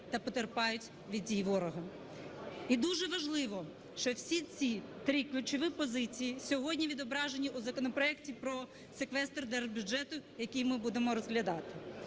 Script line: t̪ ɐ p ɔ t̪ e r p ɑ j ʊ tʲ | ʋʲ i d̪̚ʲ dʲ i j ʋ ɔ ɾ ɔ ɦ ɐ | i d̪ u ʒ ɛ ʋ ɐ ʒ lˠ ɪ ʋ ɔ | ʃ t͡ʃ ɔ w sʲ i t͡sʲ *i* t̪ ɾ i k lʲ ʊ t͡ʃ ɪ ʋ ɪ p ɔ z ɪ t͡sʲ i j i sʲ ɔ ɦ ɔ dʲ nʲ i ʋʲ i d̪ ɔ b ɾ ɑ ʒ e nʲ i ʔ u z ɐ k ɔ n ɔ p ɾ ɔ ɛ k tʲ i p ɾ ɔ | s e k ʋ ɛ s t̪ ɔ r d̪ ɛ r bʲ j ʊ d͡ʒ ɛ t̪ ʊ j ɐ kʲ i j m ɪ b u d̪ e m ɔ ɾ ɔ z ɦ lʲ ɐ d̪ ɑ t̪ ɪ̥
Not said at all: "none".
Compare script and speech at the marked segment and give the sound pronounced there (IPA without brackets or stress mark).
i